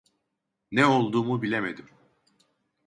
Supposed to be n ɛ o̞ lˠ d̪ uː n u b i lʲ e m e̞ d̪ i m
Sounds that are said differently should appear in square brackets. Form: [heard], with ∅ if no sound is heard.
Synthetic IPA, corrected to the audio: n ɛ o̞ lˠ d̪ uː [m] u b i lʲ e m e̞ d̪ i m